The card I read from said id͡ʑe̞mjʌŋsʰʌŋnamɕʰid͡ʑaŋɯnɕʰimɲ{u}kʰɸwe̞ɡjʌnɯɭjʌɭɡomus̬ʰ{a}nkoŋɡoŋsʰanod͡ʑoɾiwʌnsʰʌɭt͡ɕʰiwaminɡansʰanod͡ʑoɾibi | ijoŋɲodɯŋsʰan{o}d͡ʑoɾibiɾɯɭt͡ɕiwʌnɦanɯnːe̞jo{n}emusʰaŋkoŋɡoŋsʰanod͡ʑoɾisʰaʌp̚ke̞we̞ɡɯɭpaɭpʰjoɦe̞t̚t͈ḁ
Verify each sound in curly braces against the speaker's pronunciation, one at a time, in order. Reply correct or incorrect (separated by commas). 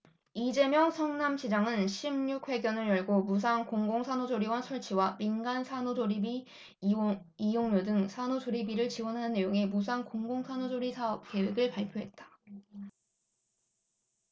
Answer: correct, correct, correct, incorrect